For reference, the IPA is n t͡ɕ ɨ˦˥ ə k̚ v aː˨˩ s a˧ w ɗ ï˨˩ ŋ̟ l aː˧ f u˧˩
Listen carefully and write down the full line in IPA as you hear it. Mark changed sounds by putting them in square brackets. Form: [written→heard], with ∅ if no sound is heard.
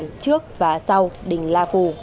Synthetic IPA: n t͡ɕ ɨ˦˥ ə k̚ v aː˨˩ s a˧ w ɗ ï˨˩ ŋ̟ l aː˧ f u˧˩